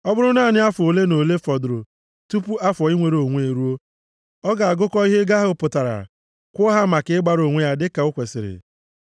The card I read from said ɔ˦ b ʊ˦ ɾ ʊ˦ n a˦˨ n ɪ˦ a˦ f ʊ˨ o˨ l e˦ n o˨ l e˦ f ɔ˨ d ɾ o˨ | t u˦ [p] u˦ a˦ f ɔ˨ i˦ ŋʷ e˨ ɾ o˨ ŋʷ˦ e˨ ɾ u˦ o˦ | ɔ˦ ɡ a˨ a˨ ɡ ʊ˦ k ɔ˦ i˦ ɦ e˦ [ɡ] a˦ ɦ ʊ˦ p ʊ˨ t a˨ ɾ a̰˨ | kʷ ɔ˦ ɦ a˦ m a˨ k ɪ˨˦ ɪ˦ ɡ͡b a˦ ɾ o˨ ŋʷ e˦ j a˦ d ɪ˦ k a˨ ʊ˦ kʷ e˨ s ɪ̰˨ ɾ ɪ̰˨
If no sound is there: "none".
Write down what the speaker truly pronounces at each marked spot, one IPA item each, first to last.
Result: p, ɡ

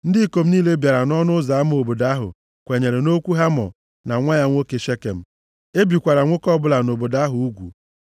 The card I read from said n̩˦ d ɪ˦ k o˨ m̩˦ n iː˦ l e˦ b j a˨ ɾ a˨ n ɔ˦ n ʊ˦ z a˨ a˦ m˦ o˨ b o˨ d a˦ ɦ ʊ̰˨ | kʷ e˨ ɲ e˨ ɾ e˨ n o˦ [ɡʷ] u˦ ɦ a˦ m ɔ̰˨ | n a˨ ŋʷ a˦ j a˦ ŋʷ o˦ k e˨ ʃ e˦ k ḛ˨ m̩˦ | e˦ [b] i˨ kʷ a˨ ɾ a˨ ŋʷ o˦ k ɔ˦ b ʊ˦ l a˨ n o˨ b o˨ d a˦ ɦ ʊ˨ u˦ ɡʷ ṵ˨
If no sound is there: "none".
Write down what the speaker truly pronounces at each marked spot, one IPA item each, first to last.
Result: kʷ, b

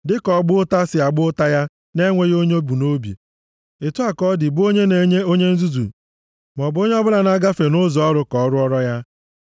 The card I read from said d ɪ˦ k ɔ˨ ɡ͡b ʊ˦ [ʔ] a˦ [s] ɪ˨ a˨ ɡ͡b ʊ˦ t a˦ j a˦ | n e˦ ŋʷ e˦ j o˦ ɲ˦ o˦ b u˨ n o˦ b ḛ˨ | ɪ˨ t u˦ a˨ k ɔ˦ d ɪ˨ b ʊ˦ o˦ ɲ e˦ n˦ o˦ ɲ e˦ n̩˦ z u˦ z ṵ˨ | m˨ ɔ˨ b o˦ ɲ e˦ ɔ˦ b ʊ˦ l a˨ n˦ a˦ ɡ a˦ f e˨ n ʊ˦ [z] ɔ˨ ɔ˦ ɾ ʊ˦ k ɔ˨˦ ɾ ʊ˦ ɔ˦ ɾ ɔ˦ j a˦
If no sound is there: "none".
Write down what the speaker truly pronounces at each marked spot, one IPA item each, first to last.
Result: t, s, z

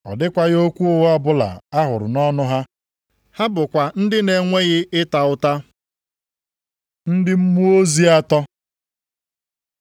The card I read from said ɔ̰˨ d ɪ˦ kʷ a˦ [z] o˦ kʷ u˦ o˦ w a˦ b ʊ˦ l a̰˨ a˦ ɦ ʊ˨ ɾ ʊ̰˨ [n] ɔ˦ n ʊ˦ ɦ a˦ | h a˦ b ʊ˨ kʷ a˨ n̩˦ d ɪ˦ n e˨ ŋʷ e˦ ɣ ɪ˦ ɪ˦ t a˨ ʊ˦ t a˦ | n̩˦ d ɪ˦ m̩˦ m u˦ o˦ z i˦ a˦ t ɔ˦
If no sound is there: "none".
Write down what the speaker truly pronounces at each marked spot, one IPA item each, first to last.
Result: ɣ, n

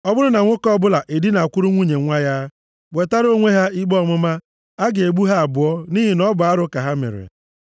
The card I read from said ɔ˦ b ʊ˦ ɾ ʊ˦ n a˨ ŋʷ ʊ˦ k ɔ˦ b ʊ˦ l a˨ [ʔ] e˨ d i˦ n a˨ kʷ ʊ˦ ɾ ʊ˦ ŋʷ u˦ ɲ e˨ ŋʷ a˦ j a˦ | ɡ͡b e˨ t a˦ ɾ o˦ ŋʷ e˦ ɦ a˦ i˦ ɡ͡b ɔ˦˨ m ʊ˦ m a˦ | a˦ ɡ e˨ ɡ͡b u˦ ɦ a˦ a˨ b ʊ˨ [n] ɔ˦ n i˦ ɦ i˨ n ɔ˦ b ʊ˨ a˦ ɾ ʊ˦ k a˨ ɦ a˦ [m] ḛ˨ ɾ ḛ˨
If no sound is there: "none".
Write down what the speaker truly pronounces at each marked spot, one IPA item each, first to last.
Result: ʔ, none, m

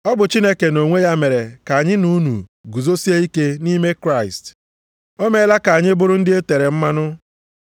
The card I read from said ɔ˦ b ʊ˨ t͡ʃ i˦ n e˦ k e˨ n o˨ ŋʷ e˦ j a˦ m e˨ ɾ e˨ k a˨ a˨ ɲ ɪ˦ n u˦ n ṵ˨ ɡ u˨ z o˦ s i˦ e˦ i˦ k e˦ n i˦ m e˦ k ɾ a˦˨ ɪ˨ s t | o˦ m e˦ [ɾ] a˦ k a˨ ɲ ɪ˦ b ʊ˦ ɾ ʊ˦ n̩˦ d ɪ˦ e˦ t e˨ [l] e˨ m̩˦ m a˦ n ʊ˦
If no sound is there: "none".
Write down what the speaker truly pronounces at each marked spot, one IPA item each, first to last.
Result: l, ɾ

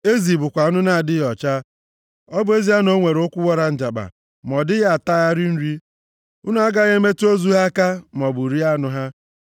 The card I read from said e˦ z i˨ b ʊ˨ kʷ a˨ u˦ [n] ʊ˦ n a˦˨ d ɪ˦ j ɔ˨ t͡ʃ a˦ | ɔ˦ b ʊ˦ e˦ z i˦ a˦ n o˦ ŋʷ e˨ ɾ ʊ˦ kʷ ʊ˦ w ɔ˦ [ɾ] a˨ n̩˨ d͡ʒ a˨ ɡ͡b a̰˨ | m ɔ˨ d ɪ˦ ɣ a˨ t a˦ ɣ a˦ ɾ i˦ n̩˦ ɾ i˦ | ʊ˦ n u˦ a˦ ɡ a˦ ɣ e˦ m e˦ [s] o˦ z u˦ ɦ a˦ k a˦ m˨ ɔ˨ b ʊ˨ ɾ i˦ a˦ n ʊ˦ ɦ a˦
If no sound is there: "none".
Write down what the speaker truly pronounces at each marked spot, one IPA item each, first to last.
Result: n, ɾ, t

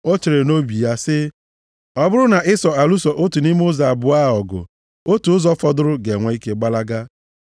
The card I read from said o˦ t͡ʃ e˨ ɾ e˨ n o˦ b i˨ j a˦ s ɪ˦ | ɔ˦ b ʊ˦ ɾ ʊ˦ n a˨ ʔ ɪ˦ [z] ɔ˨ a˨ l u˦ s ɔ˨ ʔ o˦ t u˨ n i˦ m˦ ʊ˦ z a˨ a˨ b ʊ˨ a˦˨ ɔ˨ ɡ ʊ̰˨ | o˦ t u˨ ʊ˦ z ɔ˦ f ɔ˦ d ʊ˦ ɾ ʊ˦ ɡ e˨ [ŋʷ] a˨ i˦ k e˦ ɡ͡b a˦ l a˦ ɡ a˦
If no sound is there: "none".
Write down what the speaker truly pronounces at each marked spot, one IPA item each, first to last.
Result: s, ŋʷ

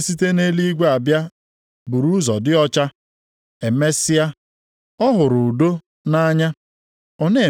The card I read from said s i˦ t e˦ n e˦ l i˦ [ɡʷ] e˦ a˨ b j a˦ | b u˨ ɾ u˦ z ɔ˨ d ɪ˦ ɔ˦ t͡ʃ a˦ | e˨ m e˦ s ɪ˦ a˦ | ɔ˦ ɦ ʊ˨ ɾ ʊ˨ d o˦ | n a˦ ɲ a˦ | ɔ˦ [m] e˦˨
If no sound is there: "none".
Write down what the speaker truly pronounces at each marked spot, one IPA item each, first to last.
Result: ɡʷ, n

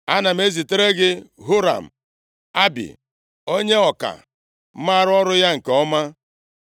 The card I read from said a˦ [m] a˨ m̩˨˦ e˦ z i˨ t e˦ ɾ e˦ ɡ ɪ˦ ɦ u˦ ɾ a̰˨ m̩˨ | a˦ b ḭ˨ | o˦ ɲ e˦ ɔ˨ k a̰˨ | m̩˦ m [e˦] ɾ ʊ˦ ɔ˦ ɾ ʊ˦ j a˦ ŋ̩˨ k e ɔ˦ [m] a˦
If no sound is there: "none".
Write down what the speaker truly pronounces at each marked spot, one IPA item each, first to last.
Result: n, a˦, m

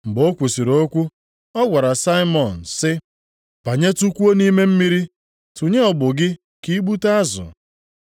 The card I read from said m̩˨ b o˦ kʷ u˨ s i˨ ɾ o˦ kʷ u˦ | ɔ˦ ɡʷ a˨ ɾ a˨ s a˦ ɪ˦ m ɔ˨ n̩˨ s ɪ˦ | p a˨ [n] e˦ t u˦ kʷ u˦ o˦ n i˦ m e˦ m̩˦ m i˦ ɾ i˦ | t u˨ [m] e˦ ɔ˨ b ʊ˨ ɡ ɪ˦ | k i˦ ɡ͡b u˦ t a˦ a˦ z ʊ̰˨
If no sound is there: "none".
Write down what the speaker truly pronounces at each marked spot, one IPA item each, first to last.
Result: ɲ, ɲ

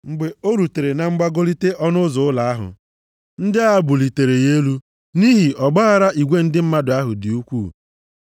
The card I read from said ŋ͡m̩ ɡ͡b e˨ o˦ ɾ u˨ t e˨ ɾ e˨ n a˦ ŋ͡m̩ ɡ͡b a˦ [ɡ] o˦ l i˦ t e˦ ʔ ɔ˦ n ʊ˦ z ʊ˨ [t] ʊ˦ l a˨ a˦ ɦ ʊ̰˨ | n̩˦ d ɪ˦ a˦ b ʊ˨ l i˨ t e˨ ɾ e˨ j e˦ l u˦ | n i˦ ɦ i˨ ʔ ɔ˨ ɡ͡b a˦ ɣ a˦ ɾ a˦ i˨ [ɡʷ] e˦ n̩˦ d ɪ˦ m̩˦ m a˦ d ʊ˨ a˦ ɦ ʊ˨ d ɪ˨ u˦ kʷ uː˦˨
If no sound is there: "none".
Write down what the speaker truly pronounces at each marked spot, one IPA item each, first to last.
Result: ɡ, none, ɡʷ

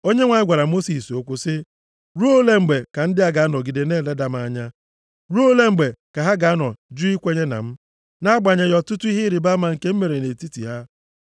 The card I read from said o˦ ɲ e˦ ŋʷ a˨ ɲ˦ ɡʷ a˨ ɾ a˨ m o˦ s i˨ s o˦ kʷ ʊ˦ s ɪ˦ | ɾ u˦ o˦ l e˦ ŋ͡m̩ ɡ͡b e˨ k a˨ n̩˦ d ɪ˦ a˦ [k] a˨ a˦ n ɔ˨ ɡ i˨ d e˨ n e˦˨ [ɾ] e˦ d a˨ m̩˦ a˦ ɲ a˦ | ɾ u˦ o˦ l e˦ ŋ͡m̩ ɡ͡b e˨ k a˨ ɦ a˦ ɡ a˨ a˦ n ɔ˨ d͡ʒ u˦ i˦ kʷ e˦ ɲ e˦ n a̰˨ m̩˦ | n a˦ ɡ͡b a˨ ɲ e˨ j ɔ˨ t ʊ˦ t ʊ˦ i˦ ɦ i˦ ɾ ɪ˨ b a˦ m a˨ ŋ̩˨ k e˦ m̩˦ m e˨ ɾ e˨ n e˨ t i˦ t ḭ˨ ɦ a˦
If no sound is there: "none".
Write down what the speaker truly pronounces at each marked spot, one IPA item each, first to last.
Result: ɡ, l

